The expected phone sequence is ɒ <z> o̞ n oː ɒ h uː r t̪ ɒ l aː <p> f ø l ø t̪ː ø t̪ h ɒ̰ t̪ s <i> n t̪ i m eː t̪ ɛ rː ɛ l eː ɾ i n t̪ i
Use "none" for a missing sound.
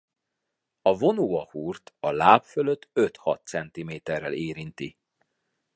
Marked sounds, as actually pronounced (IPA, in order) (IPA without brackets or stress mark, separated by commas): v, p, ɛ